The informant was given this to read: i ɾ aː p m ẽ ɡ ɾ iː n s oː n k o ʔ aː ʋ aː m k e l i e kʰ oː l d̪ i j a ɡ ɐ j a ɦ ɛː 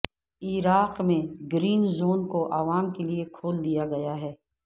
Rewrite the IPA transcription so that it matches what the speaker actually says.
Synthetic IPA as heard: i ɾ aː q m ẽ ɡ ɾ iː n z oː n k o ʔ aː ʋ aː m k e l i e kʰ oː l d̪ i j a ɡ ɐ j a ɦ ɛː